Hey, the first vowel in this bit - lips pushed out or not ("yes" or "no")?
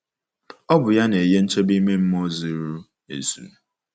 yes